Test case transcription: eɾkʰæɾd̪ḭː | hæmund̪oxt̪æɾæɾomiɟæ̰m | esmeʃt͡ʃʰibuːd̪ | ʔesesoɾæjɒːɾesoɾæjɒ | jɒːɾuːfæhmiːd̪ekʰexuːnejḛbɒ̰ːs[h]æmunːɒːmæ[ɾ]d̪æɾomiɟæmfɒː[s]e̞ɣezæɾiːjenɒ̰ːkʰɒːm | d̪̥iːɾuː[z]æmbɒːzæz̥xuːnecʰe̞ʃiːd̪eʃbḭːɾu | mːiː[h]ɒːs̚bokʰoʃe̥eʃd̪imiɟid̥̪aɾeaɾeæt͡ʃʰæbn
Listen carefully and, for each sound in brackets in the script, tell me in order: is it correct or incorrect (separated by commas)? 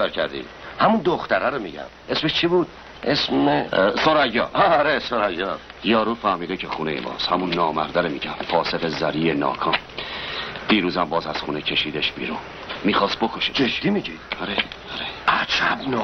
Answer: correct, correct, correct, correct, incorrect